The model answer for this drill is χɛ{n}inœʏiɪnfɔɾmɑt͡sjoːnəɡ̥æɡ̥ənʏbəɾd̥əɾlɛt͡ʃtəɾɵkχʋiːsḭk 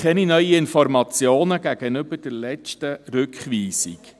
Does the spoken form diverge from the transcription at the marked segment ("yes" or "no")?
no